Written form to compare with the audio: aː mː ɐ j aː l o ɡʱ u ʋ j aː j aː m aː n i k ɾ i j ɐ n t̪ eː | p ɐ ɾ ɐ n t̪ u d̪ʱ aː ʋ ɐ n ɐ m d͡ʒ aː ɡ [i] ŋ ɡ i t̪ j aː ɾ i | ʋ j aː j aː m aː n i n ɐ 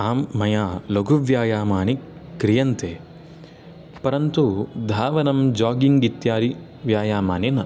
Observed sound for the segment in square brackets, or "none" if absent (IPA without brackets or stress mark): i